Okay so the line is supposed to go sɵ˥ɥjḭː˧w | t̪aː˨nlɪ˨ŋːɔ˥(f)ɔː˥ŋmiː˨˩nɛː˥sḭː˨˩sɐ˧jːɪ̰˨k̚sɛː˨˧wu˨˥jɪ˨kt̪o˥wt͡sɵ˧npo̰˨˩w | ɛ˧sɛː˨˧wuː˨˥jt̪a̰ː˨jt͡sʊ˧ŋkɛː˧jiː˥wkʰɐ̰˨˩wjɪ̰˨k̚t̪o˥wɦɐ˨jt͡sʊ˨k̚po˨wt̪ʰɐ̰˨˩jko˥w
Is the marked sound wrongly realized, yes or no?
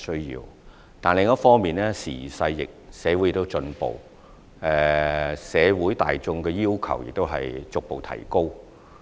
no